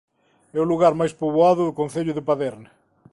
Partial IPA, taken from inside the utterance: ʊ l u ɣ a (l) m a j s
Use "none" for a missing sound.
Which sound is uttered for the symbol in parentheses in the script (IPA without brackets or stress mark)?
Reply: ɾ